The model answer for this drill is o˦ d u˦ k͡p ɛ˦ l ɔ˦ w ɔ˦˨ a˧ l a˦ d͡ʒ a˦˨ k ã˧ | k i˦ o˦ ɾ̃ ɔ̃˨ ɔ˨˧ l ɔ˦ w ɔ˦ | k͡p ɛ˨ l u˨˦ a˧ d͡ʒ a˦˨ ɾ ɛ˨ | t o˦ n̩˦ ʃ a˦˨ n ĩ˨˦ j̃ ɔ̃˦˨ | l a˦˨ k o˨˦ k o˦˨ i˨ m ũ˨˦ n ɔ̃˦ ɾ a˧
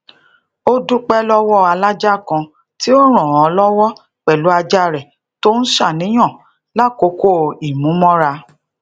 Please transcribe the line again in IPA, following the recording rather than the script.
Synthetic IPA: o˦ d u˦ k͡p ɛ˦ l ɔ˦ w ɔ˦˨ a˧ l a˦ d͡ʒ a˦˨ k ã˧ | t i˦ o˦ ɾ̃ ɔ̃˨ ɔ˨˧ l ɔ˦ w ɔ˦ | k͡p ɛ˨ l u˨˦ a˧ d͡ʒ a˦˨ ɾ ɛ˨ | t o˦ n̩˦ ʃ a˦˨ n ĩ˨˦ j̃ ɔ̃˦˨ | l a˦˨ k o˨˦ k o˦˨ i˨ m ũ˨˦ m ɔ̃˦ ɾ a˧